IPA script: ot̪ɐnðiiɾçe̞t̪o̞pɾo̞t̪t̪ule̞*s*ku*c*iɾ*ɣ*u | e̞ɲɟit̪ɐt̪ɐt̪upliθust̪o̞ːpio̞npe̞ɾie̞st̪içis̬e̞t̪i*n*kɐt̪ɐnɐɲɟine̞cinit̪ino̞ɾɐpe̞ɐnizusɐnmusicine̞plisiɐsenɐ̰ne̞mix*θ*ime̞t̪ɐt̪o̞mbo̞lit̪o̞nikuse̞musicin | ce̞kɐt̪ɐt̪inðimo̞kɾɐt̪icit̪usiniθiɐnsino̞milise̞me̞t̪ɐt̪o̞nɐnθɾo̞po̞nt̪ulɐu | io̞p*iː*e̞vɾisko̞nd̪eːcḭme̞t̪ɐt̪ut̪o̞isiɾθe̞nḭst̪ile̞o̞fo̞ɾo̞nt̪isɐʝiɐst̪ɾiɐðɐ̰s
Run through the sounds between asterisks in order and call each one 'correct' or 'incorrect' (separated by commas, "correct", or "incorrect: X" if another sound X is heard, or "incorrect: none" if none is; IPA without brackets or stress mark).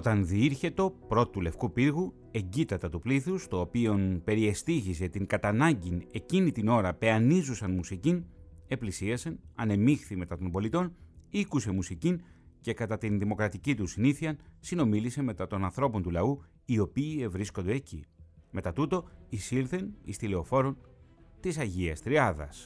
incorrect: f, incorrect: p, correct, incorrect: ŋ, correct, correct